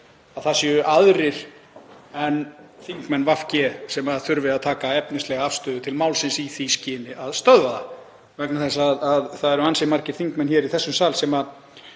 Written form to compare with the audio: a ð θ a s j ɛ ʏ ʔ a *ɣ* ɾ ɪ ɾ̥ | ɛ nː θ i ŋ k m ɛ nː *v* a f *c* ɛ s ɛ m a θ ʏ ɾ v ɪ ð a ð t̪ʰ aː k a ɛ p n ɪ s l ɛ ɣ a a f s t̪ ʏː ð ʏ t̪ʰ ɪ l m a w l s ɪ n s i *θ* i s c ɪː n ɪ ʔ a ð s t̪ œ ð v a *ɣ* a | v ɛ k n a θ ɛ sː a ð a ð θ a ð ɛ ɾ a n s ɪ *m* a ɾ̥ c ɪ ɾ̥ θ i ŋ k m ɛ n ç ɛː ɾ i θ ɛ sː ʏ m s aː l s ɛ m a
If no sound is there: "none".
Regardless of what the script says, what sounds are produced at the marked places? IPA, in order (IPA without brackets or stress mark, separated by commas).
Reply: ð, v, c, θ, ð, m